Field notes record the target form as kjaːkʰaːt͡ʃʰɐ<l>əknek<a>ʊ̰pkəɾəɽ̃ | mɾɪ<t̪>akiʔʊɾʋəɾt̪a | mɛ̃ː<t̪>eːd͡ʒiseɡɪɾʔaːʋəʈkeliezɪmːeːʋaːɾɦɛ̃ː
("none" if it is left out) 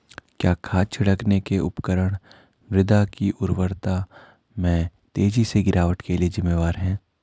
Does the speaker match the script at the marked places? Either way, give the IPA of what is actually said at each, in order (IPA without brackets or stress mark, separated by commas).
ɽ, e, d̪, t̪